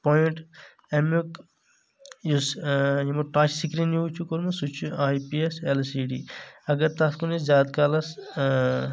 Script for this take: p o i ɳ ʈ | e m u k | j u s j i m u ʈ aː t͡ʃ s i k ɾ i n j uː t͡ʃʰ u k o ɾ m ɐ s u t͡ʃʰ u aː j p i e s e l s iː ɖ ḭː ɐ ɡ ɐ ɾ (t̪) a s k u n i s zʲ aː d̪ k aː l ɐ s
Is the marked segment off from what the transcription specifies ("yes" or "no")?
no